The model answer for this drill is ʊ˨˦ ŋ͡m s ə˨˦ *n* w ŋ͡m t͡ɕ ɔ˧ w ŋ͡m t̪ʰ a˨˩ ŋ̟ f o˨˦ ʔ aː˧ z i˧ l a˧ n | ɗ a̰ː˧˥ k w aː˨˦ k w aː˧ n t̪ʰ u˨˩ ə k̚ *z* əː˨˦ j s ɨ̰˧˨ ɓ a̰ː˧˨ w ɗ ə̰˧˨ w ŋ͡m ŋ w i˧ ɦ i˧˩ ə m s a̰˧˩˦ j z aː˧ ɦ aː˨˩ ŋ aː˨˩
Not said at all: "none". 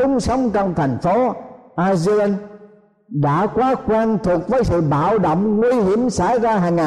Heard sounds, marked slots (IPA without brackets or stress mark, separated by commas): none, v